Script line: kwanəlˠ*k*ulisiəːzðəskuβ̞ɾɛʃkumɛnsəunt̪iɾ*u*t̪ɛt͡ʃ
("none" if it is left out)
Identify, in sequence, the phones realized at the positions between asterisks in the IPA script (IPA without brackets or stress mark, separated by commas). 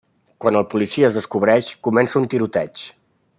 p, u